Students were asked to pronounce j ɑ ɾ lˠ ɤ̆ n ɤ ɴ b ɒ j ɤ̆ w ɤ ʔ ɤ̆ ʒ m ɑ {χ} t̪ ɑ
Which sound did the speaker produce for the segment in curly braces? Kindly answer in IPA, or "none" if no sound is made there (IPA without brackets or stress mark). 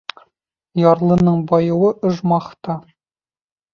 χ